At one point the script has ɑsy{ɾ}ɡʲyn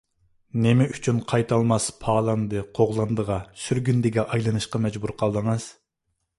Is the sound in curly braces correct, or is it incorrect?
correct